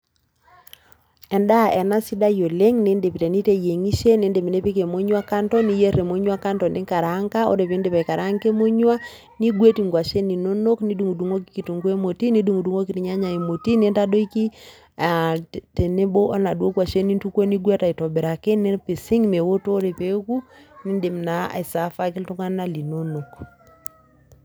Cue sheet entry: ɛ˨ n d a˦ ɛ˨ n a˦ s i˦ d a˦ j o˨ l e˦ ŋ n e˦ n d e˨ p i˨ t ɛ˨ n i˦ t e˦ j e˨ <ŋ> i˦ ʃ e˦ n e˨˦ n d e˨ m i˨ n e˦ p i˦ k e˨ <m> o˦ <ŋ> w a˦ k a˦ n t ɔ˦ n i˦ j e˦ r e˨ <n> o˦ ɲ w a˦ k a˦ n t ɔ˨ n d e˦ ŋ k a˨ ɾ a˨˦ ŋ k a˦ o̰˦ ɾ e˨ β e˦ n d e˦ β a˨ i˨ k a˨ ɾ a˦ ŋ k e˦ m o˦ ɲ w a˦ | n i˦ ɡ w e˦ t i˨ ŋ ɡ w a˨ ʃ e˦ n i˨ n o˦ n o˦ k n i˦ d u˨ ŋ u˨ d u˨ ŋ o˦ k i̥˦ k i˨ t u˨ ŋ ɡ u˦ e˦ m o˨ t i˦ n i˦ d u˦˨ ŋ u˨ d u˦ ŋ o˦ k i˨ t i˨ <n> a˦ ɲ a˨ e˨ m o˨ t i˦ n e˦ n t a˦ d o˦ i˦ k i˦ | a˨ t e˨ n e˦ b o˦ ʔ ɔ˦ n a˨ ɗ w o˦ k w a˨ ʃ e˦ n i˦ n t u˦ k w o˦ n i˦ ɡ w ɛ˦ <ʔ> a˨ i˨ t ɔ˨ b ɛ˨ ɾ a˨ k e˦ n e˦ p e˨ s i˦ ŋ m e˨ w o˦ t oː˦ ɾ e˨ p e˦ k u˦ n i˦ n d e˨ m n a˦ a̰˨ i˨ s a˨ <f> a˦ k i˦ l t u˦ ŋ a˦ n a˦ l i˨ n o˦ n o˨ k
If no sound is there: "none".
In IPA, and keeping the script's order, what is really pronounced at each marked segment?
ŋ, m, ɲ, m, ɲ, t, f

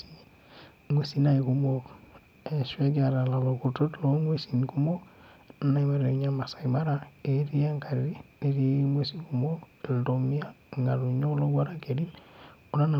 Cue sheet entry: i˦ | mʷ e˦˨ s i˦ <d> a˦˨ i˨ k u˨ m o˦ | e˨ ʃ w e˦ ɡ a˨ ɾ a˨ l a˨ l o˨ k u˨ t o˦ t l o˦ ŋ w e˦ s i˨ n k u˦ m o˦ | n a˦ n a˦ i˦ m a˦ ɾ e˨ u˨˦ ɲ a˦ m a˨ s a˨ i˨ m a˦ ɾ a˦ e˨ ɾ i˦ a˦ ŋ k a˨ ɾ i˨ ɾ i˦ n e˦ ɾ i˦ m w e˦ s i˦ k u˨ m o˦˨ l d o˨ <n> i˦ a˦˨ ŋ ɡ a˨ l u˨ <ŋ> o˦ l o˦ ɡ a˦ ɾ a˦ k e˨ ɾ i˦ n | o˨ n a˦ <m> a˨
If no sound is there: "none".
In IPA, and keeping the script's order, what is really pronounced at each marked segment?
n, m, ɲ, n

